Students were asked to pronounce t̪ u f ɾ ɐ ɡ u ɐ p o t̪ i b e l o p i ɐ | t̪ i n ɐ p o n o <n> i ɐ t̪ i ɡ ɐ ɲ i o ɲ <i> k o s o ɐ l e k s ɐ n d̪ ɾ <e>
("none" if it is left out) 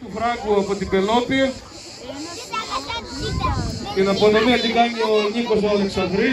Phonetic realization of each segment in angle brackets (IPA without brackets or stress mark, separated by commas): m, i, i